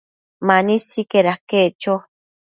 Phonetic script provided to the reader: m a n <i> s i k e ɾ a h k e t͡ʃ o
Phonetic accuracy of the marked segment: correct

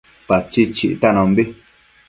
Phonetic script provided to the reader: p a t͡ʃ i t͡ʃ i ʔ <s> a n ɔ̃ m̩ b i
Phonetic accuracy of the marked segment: incorrect: t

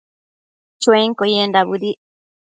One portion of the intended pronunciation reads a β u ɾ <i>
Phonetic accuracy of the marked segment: correct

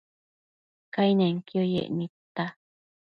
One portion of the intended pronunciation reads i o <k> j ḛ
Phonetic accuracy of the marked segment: incorrect: none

